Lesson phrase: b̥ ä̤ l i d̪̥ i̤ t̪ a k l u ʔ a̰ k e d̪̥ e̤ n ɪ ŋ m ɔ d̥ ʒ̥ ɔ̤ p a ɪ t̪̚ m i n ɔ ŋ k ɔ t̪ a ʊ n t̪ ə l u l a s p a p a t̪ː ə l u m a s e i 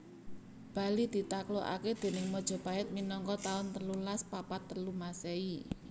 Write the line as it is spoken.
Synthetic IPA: b̥ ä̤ l i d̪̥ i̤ t̪ a k l o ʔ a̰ k e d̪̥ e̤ n ɪ ŋ m ɔ d̥ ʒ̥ ɔ̤ p a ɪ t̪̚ m i n ɔ ŋ k ɔ t̪ a ʊ n t̪ ə l u l a s p a p a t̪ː ə l u m a s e i